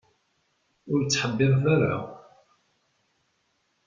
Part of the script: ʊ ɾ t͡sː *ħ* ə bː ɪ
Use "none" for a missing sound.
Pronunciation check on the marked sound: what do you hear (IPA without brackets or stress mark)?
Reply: ħ